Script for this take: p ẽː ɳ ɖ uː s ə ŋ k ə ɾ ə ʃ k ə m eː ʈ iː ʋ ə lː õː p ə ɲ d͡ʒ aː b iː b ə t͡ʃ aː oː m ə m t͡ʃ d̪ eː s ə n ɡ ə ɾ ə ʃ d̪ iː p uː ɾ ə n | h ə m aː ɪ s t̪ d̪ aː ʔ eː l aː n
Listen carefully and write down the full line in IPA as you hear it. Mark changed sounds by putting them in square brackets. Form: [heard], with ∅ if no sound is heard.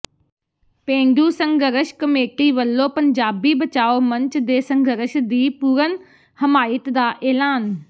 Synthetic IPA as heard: p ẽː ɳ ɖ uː s ə ŋ [ɡ] ə ɾ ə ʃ k ə m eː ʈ iː ʋ ə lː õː p ə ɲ d͡ʒ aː b iː b ə t͡ʃ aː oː m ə [ɲ] t͡ʃ d̪ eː s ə [ŋ] ɡ ə ɾ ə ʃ d̪ iː p uː ɾ ə n | h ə m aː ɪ [∅] t̪ d̪ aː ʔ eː l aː n